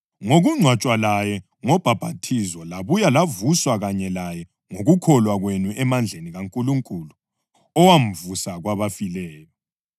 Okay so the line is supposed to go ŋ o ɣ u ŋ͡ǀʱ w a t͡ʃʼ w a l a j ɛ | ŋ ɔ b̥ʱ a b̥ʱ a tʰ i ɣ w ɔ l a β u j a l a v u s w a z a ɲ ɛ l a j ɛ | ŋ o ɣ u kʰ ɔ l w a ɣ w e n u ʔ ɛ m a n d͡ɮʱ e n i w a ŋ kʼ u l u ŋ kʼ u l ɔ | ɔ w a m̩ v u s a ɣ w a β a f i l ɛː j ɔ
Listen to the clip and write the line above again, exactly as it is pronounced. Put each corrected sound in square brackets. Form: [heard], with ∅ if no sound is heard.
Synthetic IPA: ŋ o ɣ u ŋ͡ǀʱ w a t͡ʃʼ w a l a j ɛ | ŋ ɔ b̥ʱ a b̥ʱ a tʰ i [z] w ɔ l a β u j a l a v u s w a [ɣ] a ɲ ɛ l a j ɛ | ŋ o ɣ u kʰ ɔ l w a ɣ w e n u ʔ ɛ m a n d͡ɮʱ e n i [ɣ] a ŋ kʼ u l u ŋ kʼ u l [u] | ɔ w a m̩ v u s a ɣ w a β a f i l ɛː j ɔ